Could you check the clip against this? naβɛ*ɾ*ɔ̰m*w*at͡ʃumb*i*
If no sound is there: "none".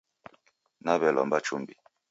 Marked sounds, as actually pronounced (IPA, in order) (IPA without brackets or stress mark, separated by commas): l, b, i